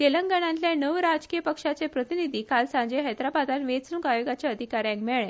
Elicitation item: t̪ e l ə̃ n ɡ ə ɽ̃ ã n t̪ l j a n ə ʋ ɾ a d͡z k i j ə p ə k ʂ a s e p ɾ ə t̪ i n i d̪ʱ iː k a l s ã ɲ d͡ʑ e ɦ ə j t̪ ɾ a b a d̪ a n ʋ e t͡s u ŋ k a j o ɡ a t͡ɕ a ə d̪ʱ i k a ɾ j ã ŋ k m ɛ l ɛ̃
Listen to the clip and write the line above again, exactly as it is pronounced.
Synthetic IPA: t̪ e l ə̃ ŋ ɡ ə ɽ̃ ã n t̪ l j a n ə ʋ ɾ a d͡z k i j ə p ə k ʂ a t͡s e p ɾ ə t̪ i n i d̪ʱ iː k a l s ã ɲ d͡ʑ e ɦ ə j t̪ ɾ a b a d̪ a n ʋ e t͡s u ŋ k a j o ɡ a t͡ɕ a ə d̪ʱ i k a ɾ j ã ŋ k m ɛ ɭ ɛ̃